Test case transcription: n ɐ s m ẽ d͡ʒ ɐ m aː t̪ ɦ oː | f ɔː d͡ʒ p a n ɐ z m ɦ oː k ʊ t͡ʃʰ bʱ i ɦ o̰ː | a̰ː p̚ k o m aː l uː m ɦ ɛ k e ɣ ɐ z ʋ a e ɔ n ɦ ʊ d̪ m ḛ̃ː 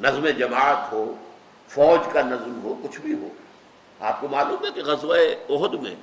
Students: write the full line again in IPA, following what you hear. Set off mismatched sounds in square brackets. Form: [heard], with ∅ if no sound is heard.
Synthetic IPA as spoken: n ɐ [z] m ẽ d͡ʒ ɐ m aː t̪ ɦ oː | f ɔː d͡ʒ [k] a n ɐ z m ɦ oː k ʊ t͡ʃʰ bʱ i ɦ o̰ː | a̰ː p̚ k o m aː l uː m ɦ ɛ k e ɣ ɐ z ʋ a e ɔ [∅] ɦ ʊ d̪ m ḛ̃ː